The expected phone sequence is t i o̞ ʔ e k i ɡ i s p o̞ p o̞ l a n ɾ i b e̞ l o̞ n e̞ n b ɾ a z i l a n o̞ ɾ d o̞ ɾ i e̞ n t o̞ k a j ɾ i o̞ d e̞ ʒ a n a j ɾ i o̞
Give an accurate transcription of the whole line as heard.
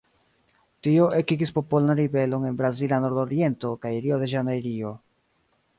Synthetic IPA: t i o̞ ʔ e k i ɡ i s p o̞ p o̞ l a n ɾ i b e̞ l o̞ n e̞ n b ɾ a z i l a n o̞ ɾ d o̞ ɾ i e̞ n t o̞ k a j ɾ i o̞ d e̞ ʒ a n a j ɾ i o̞